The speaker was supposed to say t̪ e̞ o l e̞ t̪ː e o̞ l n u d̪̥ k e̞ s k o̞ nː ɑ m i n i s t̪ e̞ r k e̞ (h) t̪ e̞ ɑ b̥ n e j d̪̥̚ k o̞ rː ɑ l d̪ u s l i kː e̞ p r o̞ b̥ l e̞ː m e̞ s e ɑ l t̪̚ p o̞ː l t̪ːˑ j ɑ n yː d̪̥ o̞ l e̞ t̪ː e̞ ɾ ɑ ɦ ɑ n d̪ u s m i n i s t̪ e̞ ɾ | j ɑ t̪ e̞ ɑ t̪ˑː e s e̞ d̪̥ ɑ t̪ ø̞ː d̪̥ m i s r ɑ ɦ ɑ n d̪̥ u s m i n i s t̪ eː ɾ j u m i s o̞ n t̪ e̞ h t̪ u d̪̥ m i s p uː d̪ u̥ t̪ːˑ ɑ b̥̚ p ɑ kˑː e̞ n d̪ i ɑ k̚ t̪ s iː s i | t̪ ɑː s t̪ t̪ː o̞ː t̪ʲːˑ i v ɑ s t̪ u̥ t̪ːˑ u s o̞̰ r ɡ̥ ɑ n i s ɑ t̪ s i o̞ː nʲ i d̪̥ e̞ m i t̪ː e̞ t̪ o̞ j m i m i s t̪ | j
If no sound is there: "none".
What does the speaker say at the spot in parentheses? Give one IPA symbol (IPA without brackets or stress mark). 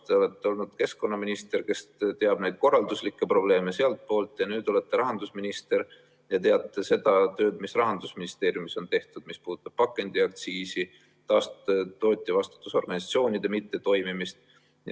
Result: s